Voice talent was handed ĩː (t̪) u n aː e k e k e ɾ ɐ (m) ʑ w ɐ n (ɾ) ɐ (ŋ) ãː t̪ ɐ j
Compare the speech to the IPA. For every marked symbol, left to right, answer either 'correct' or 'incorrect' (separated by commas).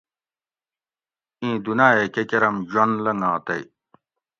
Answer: incorrect, correct, incorrect, correct